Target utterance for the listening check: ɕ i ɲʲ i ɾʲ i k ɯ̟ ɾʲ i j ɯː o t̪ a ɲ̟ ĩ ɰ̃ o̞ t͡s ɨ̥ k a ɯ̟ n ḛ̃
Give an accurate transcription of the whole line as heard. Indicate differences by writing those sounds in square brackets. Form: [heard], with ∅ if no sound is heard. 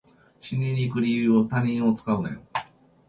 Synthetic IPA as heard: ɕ i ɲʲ i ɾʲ i k ɯ̟ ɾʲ i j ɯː o t̪ a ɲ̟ ĩ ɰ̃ o̞ t͡s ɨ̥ k a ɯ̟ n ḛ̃